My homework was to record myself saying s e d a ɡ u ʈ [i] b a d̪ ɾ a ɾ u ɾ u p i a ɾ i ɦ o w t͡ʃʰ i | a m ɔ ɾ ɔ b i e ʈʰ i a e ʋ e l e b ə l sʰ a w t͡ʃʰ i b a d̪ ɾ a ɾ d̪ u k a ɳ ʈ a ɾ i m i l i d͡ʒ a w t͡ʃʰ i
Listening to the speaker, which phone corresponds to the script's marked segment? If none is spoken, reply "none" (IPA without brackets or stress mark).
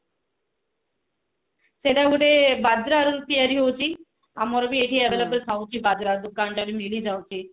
e